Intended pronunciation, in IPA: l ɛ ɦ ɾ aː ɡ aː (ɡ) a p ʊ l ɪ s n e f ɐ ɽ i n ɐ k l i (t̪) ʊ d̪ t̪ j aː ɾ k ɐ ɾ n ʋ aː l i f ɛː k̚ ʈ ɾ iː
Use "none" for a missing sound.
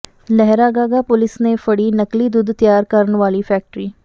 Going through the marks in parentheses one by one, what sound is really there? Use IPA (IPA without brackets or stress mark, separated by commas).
ɡ, d̪